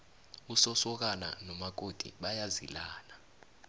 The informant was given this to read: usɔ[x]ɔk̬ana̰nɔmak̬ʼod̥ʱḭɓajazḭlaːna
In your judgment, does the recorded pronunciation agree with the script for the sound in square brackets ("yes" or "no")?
no